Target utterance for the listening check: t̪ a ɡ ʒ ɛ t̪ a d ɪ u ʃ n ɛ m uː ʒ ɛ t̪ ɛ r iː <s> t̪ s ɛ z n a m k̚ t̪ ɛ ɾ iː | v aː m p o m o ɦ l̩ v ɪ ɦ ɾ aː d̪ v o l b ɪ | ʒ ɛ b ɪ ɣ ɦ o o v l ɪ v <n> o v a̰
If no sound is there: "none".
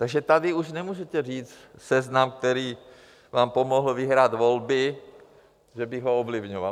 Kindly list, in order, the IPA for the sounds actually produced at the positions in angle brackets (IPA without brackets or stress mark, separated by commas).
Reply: t͡s, ɲ